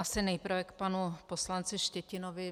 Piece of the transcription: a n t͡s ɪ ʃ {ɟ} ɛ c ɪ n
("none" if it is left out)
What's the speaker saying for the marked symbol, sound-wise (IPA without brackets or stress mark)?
c